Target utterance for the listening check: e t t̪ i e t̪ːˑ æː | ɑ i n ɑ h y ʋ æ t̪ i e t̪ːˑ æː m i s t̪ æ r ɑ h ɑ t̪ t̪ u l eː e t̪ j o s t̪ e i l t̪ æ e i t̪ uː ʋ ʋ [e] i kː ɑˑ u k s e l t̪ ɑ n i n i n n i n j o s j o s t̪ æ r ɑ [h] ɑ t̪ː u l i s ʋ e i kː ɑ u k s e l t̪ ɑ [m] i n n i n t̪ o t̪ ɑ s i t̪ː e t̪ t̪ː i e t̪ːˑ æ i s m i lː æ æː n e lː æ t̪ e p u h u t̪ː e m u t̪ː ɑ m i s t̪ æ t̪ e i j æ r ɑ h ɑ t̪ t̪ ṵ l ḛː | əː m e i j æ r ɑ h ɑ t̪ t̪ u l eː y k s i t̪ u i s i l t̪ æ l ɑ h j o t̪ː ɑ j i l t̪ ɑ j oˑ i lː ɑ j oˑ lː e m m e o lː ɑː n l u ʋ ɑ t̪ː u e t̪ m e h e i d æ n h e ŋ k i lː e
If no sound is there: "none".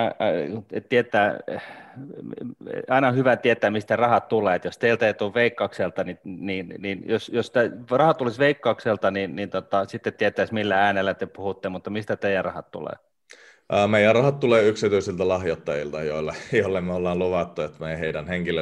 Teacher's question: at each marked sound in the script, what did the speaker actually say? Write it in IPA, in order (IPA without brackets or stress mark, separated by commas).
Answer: e, h, n